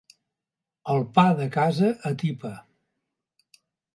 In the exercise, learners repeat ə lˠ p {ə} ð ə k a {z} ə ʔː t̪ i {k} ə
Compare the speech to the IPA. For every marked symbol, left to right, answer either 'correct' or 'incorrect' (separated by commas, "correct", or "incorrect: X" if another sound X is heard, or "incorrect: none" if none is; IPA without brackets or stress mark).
incorrect: a, correct, incorrect: p